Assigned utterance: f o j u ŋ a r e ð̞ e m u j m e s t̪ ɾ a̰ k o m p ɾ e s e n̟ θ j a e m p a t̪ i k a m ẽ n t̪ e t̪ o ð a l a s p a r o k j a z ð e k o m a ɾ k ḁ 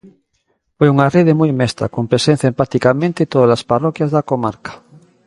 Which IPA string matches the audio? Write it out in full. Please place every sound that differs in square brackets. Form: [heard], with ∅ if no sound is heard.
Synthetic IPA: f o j u ŋ a r e ð̞ e m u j m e s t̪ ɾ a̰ k o m p ɾ e s e n̟ θ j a e m p a t̪ i k a m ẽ n t̪ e t̪ o ð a l a s p a r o k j a z ð [a] k o m a ɾ k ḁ